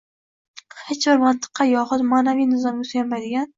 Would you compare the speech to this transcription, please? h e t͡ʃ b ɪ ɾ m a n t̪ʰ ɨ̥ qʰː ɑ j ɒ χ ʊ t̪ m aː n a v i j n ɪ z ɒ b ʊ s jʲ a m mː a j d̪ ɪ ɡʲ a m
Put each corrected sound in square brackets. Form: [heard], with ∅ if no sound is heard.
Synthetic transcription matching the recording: h e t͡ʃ b ɪ ɾ m a n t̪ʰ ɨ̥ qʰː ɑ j ɒ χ ʊ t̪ m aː n a v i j n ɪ z ɒ [m] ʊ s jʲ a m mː a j d̪ ɪ ɡʲ a [n]